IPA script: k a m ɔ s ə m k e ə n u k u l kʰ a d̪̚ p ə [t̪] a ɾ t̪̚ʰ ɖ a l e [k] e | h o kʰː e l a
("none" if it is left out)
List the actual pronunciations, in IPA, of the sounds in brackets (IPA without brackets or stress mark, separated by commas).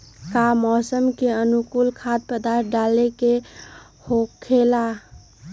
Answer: d̪, k